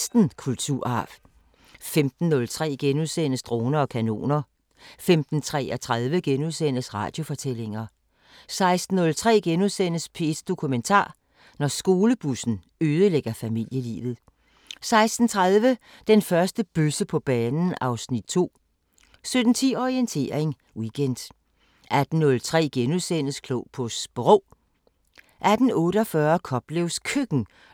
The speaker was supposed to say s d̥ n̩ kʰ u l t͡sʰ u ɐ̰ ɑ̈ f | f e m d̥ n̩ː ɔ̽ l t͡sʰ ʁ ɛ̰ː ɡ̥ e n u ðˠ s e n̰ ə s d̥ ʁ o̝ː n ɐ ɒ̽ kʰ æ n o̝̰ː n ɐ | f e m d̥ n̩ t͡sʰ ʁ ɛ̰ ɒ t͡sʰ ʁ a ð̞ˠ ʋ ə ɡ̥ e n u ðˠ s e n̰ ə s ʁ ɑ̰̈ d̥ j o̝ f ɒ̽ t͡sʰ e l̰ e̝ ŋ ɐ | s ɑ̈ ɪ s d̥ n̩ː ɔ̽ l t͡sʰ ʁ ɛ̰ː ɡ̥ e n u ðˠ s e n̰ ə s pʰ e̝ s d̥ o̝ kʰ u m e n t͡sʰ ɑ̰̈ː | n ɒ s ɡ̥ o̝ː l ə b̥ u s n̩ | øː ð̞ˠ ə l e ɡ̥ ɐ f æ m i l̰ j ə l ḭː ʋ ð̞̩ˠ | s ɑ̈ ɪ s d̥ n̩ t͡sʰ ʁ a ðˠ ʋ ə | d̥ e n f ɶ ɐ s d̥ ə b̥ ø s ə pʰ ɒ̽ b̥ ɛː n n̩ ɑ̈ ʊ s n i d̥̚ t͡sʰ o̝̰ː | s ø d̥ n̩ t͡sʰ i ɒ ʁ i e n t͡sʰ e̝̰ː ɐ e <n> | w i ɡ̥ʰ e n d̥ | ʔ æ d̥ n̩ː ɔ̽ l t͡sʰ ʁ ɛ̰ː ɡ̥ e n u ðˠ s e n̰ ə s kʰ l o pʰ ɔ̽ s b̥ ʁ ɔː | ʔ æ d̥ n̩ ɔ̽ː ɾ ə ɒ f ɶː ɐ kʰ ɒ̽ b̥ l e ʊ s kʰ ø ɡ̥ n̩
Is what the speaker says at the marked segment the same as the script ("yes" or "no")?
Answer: no